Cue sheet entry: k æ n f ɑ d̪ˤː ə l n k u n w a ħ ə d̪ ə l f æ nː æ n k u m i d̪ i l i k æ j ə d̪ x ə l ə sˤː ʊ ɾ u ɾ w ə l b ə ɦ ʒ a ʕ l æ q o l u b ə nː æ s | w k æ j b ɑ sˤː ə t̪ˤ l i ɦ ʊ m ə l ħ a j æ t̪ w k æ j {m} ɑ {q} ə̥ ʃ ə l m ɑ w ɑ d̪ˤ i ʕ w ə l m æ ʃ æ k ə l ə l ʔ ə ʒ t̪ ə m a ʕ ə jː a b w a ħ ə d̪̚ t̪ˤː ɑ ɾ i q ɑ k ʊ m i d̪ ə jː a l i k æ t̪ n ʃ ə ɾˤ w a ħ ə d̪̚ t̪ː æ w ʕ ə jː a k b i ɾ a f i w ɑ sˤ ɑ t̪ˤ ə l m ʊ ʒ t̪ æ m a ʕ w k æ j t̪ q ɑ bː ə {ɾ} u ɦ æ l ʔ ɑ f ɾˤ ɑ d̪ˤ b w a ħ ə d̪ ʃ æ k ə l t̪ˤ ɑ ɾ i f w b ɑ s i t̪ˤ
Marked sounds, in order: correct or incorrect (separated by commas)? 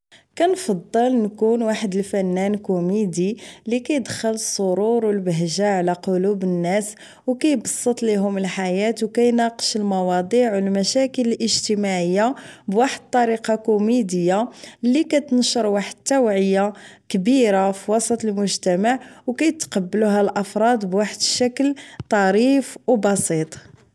incorrect, correct, incorrect